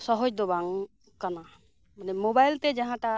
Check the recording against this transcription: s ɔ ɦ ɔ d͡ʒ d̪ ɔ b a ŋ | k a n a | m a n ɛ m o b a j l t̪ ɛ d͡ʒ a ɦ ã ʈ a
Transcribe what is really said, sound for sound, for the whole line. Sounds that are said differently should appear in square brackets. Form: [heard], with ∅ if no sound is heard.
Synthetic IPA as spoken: s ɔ ɦ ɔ d͡ʒ d̪ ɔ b a ŋ | k a n a | m a n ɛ m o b a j l t̪ ɛ d͡ʒ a ɦ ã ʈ a

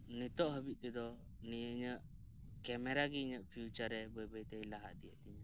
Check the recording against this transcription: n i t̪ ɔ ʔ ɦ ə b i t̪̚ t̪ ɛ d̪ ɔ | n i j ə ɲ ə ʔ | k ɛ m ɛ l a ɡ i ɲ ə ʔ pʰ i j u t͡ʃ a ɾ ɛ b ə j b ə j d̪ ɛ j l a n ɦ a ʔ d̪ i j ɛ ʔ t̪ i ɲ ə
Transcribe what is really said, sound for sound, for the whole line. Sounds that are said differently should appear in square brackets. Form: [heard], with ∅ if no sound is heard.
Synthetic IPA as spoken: n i t̪ ɔ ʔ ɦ ə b i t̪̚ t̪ ɛ d̪ ɔ | n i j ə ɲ ə ʔ | k ɛ m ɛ [ɾ] a ɡ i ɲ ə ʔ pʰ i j u t͡ʃ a ɾ ɛ b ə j b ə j [t̪] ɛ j l a [∅] ɦ a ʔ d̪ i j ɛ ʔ t̪ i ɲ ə

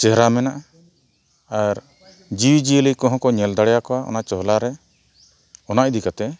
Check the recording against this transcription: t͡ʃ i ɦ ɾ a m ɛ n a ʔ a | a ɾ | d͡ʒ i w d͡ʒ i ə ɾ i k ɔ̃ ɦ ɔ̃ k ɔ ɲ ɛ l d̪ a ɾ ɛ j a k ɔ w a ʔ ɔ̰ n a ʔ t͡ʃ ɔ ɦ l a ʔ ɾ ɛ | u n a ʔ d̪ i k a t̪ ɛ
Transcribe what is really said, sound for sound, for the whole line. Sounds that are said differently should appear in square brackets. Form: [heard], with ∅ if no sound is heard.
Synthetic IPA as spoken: t͡ʃ [ɛ] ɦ ɾ a m ɛ n a ʔ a | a ɾ | d͡ʒ i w d͡ʒ i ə [l] i k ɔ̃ ɦ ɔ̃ k ɔ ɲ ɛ l d̪ a [ɽ] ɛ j a k ɔ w a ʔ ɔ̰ n a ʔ t͡ʃ ɔ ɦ l a [∅] ɾ ɛ | [ɔ] n a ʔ d̪ i k a t̪ ɛ

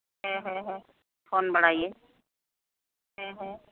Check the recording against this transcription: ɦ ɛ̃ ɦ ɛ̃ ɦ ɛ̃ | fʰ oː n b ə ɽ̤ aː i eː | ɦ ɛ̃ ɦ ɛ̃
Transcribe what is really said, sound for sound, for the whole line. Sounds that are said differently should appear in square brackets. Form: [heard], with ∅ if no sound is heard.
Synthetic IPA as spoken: ɦ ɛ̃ ɦ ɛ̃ ɦ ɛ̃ | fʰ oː n b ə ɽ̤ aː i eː | ɦ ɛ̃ ɦ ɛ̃

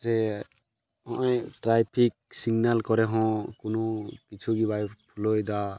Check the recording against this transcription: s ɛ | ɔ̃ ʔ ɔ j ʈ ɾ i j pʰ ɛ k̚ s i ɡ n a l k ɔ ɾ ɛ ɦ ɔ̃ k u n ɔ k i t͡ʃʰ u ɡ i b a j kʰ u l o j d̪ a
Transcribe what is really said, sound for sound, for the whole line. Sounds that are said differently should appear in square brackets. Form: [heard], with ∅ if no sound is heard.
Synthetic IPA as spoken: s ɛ | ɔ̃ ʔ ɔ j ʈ ɾ [a] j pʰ [i] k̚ s i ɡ n a l k ɔ ɾ ɛ ɦ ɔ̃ k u n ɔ k i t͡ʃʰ u ɡ i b a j [pʰ] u l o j d̪ a

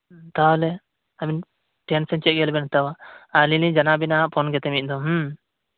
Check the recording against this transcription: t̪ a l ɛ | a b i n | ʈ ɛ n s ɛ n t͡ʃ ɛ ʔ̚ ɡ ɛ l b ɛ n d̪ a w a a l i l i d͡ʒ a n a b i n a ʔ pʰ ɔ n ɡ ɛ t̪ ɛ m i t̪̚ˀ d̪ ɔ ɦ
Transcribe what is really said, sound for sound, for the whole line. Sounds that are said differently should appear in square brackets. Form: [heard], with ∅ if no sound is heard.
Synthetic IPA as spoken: t̪ a l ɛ | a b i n | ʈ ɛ n s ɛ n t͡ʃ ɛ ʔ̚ ɡ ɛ l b ɛ n [t̪] a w a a l i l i d͡ʒ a n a b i n a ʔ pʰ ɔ n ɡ ɛ t̪ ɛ m i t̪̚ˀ d̪ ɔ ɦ

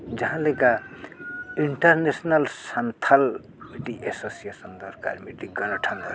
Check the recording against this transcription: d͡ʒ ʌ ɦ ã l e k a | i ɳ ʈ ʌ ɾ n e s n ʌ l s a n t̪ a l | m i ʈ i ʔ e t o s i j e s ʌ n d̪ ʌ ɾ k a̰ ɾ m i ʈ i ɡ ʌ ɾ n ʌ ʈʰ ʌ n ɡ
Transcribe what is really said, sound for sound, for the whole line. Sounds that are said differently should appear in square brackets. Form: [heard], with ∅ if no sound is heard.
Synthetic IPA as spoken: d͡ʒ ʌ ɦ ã l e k a | i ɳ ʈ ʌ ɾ n e s n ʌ l s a n [t̪ʰ] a l | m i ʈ i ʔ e [s] o s i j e s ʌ n d̪ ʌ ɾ k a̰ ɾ m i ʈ i ɡ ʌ [∅] n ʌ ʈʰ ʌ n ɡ

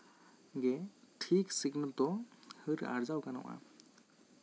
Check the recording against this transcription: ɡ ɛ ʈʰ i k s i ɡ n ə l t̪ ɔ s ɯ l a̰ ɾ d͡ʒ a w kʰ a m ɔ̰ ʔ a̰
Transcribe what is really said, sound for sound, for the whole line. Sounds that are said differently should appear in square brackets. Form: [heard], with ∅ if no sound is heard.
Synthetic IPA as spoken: ɡ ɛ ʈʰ i k s i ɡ n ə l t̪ ɔ [h] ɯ [ɾ] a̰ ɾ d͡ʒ a w [k] a [n] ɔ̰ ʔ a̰

